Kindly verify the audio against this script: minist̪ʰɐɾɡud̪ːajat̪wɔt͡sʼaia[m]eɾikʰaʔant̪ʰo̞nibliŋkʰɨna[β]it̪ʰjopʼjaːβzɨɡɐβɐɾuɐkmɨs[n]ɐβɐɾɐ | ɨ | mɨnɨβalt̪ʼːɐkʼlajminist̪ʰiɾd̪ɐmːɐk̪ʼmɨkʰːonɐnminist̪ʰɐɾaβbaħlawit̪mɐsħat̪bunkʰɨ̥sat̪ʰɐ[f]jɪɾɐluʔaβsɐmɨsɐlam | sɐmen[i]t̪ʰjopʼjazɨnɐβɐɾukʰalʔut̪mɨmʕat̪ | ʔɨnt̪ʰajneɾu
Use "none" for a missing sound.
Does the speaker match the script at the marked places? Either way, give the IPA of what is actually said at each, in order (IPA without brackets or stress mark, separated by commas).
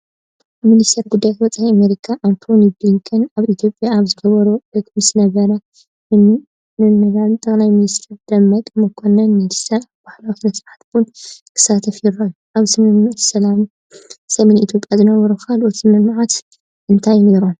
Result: m, β, n, f, i